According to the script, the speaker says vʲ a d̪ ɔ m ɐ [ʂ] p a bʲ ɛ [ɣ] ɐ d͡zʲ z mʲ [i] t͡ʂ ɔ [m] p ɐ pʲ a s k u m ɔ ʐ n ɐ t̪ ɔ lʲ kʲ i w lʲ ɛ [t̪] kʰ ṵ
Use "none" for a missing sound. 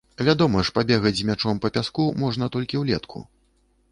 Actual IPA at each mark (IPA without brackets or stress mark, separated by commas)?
ʂ, ɣ, a, m, t̪